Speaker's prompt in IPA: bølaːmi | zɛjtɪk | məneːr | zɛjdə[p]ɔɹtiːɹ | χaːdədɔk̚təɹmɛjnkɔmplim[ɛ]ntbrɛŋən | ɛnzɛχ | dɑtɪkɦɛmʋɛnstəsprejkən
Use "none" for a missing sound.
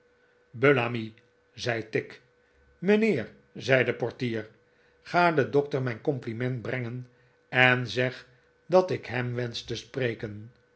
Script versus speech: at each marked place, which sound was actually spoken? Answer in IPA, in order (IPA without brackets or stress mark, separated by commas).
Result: p, ɛ